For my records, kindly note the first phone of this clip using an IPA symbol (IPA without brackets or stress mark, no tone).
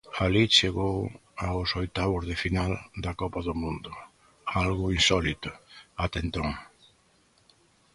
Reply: a